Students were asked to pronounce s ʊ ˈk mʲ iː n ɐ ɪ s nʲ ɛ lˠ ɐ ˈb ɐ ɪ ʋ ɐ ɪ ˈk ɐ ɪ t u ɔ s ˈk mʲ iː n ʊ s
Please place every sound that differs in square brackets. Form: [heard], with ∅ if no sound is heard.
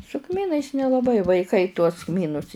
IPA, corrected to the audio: s ʊ ˈk mʲ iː n ɐ ɪ s nʲ ɛ lˠ ɐ ˈb ɐ ɪ ʋ ɐ ɪ ˈk ɐ ɪ t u ɔ s ˈk mʲ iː n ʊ s